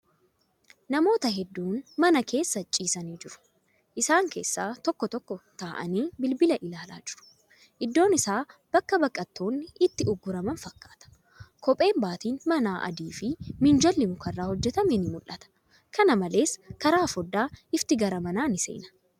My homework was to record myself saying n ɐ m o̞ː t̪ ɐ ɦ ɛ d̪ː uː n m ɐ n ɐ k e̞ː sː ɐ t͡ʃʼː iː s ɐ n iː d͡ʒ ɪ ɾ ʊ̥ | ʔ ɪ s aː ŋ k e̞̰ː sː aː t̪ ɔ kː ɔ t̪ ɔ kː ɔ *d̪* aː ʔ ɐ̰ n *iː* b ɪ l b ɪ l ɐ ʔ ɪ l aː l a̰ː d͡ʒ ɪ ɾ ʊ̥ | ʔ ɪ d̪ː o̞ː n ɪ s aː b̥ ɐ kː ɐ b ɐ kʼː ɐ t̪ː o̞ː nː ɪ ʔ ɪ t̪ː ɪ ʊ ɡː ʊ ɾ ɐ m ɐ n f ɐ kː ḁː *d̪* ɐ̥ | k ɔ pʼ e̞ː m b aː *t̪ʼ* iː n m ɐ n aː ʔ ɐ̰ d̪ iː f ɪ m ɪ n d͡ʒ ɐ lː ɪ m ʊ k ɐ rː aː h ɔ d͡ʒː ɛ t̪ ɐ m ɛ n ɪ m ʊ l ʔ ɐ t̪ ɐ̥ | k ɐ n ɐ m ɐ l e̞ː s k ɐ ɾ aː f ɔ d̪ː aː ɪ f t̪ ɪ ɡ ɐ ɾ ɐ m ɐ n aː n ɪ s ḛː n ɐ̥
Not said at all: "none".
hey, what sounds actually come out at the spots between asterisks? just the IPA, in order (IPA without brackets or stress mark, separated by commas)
t̪, iː, t̪, t̪